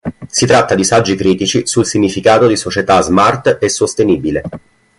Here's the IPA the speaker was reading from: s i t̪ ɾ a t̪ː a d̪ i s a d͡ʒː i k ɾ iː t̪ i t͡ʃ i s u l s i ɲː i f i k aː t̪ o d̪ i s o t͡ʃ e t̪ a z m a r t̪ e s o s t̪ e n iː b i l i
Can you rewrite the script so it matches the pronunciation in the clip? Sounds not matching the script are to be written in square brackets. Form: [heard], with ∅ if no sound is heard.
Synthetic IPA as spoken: s i t̪ ɾ a t̪ː a d̪ i s a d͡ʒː i k ɾ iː t̪ i t͡ʃ i s u l s i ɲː i f i k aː t̪ o d̪ i s o t͡ʃ e t̪ a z m a r t̪ e s o s t̪ e n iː b i l [e]